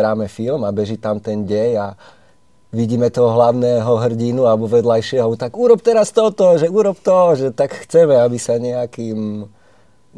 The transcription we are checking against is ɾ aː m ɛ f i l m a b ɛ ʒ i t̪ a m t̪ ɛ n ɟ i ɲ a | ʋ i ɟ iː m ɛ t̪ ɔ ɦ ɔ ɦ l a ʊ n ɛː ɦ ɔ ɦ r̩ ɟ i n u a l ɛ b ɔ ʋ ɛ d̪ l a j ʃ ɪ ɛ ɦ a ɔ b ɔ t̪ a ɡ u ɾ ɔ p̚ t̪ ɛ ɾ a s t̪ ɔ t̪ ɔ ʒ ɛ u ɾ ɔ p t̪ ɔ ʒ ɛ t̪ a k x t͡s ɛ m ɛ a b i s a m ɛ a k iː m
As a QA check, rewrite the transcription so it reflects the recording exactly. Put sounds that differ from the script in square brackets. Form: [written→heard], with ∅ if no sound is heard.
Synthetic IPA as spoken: ɾ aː m ɛ f i l m a b ɛ ʒ i t̪ a m t̪ ɛ n ɟ [i→ɛ] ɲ a | ʋ i ɟ iː m ɛ t̪ ɔ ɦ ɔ ɦ l a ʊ n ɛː ɦ ɔ ɦ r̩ ɟ i n u a l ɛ b ɔ ʋ ɛ d̪ l a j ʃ ɪ ɛ ɦ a ɔ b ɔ t̪ a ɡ u ɾ ɔ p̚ t̪ ɛ ɾ a s t̪ ɔ t̪ ɔ ʒ ɛ u ɾ ɔ p t̪ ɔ ʒ ɛ t̪ a k x t͡s ɛ m ɛ a b i s a [m→ɲ] ɛ a k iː m